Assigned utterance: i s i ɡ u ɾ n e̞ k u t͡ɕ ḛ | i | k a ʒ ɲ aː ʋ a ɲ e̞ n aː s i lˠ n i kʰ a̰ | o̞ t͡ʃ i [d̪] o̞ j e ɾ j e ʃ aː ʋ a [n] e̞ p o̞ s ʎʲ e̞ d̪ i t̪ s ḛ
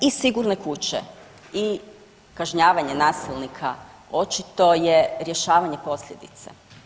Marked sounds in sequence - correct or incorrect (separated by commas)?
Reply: incorrect, incorrect